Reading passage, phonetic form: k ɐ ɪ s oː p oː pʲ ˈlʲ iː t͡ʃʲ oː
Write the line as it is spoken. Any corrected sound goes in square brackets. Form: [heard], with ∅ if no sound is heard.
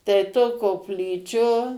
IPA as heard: [t] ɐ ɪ [t] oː [k] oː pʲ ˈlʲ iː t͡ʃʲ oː

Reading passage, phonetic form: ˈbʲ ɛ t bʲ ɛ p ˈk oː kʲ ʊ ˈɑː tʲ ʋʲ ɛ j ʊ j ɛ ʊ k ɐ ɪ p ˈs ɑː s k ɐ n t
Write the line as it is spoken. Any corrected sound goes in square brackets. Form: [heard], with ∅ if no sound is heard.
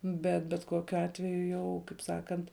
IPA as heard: ˈbʲ ɛ t bʲ ɛ [t] ˈk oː kʲ ʊ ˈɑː tʲ ʋʲ ɛ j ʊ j ɛ ʊ k ɐ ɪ p ˈs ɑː [∅] k ɐ n t

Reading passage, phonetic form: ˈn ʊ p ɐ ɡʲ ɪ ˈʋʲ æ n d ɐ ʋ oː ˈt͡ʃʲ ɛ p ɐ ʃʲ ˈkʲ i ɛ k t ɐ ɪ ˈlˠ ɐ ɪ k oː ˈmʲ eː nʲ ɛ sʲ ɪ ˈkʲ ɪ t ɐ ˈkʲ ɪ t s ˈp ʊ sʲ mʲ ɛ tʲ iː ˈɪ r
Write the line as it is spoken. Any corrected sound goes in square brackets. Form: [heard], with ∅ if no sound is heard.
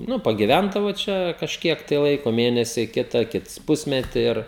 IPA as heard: ˈn ʊ p ɐ ɡʲ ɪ ˈʋʲ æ n d ɐ ʋ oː ˈt͡ʃʲ ɛ [k] ɐ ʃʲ ˈkʲ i ɛ k t ɐ ɪ ˈlˠ ɐ ɪ k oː ˈmʲ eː nʲ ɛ sʲ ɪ ˈkʲ ɪ t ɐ ˈkʲ ɪ t s ˈp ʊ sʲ mʲ ɛ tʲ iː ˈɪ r

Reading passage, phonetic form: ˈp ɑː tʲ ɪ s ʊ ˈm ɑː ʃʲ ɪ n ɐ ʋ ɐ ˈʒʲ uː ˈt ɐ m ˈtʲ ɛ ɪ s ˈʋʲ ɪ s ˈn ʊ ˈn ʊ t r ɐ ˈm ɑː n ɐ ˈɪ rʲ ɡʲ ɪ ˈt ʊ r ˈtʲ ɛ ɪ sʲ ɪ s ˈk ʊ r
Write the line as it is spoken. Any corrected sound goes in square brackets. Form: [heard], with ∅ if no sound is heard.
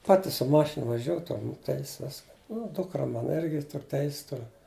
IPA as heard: ˈp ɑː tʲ ɪ s ʊ ˈm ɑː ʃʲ ɪ n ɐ ʋ ɐ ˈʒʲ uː ˈt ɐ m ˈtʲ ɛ ɪ s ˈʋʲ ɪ s ˈn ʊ [ˈd] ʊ [k] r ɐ ˈm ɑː n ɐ ˈɪ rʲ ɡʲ ɪ ˈt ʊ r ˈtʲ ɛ ɪ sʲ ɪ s [ˈt] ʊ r

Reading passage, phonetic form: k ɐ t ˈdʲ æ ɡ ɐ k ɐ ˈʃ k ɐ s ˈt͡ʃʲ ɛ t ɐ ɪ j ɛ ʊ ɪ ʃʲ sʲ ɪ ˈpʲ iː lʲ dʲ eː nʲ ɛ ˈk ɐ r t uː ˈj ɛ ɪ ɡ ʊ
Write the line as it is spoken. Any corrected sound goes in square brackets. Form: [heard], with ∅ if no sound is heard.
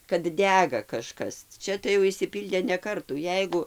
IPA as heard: k ɐ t ˈdʲ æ ɡ ɐ k ɐ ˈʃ k ɐ s ˈt͡ʃʲ ɛ t ɐ ɪ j ɛ ʊ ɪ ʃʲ sʲ ɪ ˈpʲ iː lʲ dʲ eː nʲ ɛ ˈk ɐ r t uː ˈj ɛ ɪ ɡ ʊ

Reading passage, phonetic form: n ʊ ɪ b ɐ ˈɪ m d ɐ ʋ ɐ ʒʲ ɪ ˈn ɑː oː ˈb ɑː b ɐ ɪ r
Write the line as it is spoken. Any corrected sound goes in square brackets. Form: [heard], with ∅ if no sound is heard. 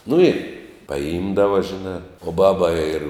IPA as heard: n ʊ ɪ [p] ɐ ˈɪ m d ɐ ʋ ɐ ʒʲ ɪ ˈn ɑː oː ˈb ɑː b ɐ ɪ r

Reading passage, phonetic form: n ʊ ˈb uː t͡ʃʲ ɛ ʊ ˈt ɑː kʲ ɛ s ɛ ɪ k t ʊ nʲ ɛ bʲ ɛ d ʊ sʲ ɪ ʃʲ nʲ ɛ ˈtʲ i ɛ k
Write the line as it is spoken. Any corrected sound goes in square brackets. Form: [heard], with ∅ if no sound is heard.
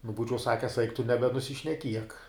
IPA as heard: n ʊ ˈb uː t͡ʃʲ ɛ ʊ [ˈs] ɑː kʲ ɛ s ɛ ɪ k t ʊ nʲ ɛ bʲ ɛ [n] ʊ sʲ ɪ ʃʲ nʲ ɛ [ˈkʲ] i ɛ k

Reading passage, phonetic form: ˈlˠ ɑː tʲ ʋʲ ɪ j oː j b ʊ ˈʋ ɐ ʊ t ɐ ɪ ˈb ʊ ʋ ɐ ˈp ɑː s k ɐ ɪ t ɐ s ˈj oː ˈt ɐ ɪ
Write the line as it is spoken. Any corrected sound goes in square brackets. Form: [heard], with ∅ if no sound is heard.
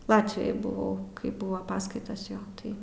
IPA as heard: ˈlˠ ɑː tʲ ʋʲ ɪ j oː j b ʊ ˈʋ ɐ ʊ [k] ɐ ɪ ˈb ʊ ʋ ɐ ˈp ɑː s k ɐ ɪ t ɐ s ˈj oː ˈt ɐ ɪ

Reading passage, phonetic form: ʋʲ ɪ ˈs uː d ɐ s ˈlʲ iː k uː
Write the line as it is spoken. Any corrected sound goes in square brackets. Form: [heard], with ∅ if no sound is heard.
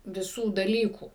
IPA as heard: ʋʲ ɪ ˈs uː d ɐ [∅] ˈlʲ iː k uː

